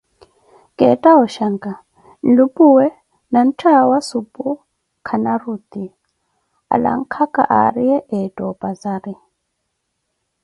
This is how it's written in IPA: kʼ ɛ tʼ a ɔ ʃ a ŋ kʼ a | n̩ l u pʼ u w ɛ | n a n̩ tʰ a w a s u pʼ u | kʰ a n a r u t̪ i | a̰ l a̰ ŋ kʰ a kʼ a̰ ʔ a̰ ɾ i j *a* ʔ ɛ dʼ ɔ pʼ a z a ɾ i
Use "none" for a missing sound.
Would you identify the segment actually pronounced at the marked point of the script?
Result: ɛ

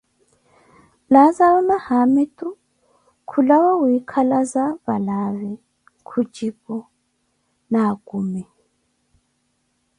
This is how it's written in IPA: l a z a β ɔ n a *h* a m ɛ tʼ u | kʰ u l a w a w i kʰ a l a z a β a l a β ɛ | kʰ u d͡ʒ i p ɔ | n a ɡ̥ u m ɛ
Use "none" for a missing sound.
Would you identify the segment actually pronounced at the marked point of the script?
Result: h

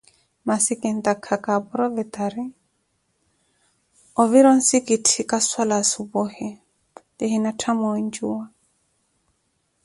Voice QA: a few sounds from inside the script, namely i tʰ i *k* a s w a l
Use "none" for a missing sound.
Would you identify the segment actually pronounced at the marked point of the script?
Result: k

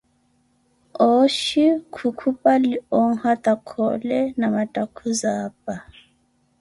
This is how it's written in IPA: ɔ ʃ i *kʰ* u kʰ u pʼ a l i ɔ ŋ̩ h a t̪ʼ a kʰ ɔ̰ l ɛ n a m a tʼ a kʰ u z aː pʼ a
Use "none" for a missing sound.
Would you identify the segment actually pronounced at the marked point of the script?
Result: kʰ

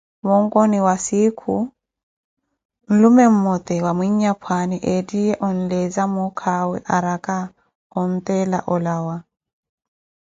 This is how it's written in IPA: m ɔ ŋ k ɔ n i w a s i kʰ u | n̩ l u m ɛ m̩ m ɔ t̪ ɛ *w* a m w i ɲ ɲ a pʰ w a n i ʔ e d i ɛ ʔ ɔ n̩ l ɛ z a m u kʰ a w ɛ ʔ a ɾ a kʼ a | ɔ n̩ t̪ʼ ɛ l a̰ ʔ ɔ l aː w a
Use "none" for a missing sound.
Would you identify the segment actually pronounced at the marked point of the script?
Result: w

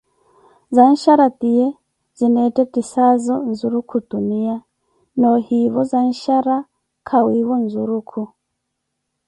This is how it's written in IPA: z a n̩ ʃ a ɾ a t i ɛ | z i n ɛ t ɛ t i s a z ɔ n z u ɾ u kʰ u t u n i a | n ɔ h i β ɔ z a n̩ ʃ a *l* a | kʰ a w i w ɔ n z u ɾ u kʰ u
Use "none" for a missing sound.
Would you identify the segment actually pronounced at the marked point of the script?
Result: ɾ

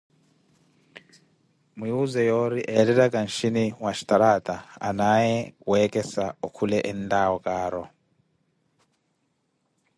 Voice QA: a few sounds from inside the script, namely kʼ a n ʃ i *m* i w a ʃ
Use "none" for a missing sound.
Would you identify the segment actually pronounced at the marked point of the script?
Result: n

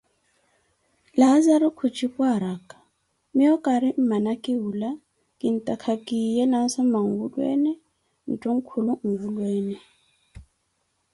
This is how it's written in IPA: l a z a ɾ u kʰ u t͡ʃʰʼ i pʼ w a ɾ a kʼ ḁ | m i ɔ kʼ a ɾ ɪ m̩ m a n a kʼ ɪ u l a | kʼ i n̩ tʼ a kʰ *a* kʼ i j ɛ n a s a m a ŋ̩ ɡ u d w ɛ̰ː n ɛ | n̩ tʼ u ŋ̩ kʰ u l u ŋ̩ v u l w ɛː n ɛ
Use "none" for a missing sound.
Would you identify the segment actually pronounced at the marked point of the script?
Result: a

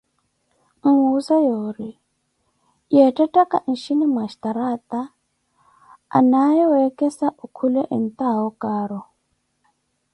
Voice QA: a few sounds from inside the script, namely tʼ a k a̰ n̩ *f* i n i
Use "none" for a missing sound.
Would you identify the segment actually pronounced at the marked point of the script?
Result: ʃ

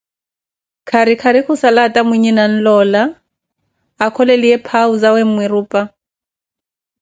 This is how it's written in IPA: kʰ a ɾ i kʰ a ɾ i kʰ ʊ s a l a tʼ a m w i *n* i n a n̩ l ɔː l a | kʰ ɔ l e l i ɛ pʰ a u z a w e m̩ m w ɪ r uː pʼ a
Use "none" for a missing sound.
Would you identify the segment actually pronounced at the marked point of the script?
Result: ɲ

